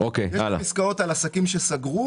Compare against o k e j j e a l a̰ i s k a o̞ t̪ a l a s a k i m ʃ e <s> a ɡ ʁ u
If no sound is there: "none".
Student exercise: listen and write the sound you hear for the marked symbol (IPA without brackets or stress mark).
s